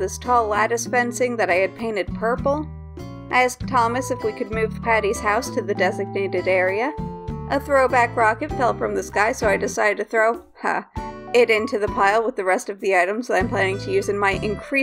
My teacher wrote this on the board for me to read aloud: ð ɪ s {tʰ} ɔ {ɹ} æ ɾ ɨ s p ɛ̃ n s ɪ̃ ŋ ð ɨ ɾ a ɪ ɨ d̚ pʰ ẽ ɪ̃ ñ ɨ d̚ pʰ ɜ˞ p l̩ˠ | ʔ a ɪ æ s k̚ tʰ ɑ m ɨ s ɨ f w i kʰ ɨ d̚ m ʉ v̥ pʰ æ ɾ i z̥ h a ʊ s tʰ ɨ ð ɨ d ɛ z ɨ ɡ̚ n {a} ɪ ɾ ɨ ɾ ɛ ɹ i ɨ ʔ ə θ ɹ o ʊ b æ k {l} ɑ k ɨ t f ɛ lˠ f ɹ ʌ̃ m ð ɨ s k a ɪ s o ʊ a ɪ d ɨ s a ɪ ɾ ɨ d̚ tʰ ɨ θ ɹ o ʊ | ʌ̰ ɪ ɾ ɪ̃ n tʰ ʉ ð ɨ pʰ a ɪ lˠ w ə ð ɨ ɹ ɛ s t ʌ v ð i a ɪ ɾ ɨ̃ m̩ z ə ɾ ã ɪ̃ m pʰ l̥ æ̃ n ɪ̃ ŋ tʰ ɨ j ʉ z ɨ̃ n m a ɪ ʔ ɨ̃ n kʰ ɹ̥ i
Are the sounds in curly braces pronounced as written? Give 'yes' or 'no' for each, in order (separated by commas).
yes, no, no, no